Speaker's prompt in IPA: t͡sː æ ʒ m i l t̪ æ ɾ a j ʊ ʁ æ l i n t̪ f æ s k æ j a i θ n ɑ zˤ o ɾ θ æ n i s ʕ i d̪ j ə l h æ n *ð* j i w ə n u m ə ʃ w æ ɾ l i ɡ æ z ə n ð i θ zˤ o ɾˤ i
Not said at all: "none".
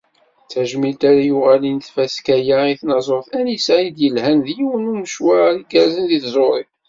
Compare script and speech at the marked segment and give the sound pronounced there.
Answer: ð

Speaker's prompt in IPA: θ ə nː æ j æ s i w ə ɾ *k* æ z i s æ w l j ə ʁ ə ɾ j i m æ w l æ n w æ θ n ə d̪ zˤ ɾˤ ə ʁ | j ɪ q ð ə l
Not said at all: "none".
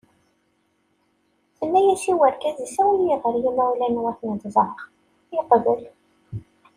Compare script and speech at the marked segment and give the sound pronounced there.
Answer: k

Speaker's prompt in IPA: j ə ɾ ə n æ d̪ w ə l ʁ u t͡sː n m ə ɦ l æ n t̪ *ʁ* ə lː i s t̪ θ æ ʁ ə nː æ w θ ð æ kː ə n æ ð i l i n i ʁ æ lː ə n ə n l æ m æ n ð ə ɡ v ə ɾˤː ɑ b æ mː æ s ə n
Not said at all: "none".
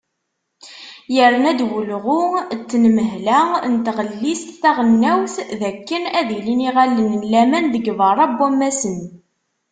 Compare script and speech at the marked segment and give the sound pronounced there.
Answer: ʁ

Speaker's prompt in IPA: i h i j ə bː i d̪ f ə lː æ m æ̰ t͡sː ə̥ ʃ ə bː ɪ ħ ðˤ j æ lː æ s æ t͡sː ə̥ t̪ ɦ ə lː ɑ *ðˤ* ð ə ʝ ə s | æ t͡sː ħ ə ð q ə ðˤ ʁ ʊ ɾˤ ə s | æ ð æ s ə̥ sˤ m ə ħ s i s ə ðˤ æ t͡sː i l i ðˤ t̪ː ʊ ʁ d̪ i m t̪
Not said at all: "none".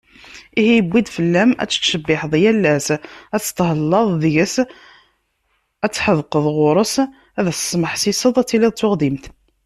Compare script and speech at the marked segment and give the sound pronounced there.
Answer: ðˤ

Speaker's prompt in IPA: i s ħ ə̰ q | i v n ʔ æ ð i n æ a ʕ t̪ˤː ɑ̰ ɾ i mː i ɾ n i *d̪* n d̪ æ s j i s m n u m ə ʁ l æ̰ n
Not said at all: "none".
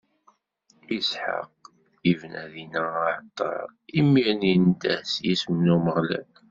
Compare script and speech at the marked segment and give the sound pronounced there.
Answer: none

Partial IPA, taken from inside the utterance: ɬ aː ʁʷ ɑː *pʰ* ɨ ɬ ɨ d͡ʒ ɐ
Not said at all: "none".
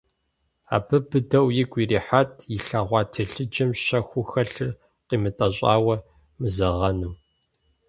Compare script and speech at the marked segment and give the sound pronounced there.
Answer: tʰ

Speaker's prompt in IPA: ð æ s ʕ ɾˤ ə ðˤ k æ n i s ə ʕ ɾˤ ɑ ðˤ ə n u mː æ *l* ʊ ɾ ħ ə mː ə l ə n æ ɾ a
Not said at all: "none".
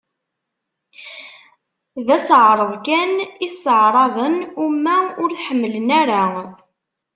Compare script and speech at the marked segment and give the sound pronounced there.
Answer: none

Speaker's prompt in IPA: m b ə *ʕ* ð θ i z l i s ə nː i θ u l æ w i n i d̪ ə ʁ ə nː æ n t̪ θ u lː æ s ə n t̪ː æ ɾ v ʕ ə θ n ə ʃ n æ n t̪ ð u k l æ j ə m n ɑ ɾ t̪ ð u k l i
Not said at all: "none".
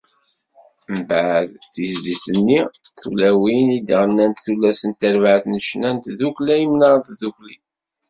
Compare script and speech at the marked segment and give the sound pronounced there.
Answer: ʕ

